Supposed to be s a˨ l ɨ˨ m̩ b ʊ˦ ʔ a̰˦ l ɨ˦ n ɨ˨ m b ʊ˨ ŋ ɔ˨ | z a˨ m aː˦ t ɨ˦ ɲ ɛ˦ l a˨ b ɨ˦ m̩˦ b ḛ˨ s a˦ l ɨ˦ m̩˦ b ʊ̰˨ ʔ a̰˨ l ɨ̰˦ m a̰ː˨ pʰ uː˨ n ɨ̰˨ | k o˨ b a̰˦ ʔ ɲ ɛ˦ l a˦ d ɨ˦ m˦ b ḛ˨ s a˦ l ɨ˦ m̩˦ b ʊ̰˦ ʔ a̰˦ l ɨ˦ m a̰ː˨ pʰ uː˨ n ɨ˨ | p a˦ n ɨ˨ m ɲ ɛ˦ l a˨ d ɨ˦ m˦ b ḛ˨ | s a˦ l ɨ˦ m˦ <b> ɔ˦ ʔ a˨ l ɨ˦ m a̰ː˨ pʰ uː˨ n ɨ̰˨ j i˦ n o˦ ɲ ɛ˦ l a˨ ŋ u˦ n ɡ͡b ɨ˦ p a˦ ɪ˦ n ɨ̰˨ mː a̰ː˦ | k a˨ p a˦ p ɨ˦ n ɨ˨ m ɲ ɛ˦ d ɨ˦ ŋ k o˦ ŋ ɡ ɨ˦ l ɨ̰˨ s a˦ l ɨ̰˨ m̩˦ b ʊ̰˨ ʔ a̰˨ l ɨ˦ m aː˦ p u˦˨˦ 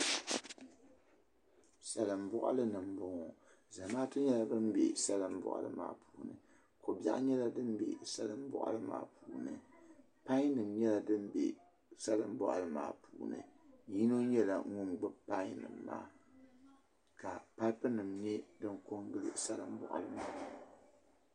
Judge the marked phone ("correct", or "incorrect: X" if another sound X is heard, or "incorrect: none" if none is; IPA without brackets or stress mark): correct